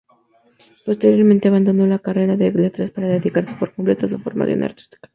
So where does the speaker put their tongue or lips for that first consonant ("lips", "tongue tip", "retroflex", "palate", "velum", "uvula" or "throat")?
lips